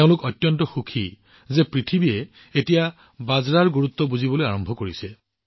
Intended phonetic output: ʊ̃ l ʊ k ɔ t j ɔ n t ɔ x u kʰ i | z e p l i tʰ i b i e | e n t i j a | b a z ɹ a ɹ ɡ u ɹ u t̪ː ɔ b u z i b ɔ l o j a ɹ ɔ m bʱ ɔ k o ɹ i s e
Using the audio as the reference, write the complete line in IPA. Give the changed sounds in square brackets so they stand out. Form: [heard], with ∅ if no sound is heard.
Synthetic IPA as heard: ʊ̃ l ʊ k ɔ t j ɔ n t ɔ x u kʰ i | z e p [ɹ] i tʰ i b i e | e [∅] t i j a | b a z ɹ a ɹ ɡ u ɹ u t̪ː ɔ b u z i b ɔ l o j a ɹ ɔ m bʱ ɔ k o ɹ i s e